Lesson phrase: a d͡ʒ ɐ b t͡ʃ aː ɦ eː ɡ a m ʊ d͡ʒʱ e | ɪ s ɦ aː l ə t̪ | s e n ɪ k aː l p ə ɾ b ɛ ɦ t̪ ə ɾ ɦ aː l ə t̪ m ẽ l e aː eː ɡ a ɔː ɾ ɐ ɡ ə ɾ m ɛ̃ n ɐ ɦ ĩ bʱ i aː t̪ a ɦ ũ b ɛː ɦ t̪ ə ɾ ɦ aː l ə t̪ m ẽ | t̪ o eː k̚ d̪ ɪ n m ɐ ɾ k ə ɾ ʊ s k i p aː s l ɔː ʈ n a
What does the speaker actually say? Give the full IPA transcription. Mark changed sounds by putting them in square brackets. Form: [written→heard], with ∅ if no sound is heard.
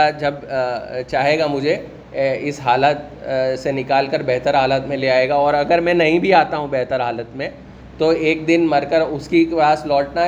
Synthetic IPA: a d͡ʒ ɐ b t͡ʃ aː ɦ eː ɡ a m ʊ d͡ʒʱ e | ɪ s ɦ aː l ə t̪ | s e n ɪ k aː l [p→k] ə ɾ b ɛ ɦ t̪ ə ɾ ɦ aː l ə t̪ m ẽ l e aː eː ɡ a ɔː ɾ ɐ ɡ ə ɾ m ɛ̃ n ɐ ɦ ĩ bʱ i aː t̪ a ɦ ũ b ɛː ɦ t̪ ə ɾ ɦ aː l ə t̪ m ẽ | t̪ o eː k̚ d̪ ɪ n m ɐ ɾ k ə ɾ ʊ s k i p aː s l ɔː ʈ n a